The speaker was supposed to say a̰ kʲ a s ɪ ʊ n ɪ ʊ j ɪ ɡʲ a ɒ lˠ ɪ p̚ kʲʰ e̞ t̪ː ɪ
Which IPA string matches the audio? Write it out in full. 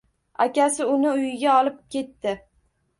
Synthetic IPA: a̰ kʲ a s ɪ ʊ n ɪ ʊ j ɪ ɡʲ a ɒ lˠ ɪ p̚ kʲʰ e̞ t̪ː ɪ